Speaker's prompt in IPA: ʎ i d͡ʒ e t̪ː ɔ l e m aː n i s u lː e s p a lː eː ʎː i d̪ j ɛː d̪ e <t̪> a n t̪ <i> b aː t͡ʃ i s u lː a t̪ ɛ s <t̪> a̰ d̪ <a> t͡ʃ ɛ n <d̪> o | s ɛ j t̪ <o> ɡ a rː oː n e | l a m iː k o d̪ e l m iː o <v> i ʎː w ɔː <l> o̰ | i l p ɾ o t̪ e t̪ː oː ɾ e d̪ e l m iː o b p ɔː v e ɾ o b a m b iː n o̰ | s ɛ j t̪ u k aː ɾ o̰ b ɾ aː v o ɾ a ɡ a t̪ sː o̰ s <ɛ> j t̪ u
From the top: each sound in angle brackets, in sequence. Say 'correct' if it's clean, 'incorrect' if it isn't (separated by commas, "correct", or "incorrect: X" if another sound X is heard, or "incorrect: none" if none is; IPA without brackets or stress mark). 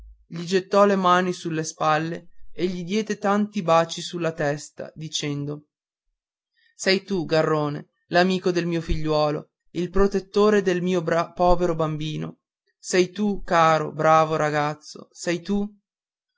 correct, correct, correct, incorrect: i, correct, incorrect: u, incorrect: f, correct, correct